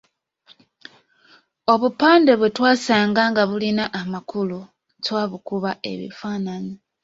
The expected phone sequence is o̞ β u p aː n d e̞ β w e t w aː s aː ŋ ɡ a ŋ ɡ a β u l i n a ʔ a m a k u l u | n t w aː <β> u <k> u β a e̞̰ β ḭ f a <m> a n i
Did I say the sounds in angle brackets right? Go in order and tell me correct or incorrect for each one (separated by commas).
correct, correct, incorrect